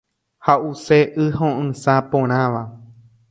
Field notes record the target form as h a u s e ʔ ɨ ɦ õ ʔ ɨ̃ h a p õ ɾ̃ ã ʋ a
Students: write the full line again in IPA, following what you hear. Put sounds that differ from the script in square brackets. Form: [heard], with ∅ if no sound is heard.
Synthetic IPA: h a u s e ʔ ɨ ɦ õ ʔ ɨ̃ [s] a p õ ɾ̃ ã ʋ a